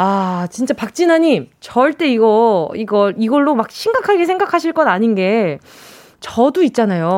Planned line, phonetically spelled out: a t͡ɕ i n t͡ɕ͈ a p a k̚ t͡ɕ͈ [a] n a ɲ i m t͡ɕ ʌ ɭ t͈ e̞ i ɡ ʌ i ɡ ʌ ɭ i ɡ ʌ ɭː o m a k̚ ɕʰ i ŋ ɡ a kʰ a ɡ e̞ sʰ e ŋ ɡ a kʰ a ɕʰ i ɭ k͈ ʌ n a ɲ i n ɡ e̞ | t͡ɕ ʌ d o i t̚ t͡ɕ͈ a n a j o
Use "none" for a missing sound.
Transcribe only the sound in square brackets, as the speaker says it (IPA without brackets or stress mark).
i